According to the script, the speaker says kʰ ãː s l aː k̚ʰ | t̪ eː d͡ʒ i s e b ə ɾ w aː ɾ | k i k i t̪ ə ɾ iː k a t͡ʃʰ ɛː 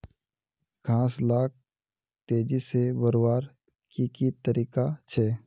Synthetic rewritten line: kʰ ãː s l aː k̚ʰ | t̪ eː d͡ʒ i s e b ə ɾ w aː ɾ | k i k i t̪ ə ɾ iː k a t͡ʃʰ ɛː